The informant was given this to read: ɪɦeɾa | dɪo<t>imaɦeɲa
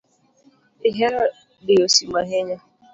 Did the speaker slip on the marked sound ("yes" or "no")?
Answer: yes